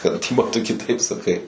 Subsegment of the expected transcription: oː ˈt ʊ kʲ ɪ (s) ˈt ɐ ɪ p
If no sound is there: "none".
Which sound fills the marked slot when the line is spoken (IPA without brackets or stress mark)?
none